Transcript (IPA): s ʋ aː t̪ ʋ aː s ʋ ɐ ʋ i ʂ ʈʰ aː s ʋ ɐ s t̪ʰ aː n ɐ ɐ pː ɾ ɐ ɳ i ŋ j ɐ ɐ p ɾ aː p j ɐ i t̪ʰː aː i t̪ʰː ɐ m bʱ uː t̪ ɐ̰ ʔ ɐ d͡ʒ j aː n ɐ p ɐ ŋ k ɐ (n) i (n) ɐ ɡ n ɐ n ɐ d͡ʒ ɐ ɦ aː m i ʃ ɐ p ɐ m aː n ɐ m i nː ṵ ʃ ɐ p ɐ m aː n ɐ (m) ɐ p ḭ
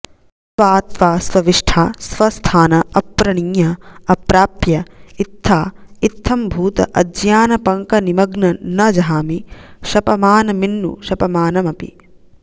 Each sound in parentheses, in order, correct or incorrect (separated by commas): correct, incorrect, correct